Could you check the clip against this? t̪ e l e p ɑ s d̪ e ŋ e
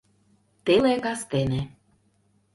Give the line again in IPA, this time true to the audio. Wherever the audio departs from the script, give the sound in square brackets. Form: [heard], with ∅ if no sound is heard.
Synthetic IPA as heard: t̪ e l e [k] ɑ s [t̪] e [n] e